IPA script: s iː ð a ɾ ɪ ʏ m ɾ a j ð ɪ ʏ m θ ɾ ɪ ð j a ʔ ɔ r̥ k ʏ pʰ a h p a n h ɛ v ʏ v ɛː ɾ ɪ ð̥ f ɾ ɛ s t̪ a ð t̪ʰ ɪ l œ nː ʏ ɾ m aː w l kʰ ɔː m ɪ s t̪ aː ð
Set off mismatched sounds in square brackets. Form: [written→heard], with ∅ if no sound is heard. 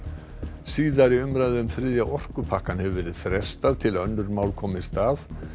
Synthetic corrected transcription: s iː ð a ɾ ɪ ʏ m ɾ a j ð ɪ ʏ m θ ɾ ɪ ð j a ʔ ɔ r̥ k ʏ pʰ a h [p→k] a n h ɛ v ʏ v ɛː ɾ ɪ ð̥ f ɾ ɛ s t̪ a ð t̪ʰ ɪ l œ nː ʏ ɾ m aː w l kʰ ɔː m ɪ s t̪ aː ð